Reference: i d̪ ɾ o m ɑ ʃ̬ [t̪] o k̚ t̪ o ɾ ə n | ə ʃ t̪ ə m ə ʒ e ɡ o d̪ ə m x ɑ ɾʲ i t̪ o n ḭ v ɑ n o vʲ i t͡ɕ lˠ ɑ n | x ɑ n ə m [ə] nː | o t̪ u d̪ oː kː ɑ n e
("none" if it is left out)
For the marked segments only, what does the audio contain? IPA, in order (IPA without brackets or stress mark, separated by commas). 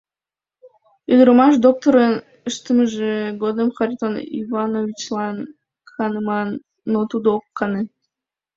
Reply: d̪, ɑ